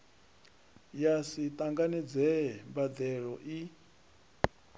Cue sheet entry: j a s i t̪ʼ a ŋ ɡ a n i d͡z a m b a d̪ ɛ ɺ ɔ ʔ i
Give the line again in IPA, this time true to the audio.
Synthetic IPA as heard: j a s i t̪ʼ a ŋ ɡ a n i d͡z ɛ m b a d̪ ɛ ɺ ɔ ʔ i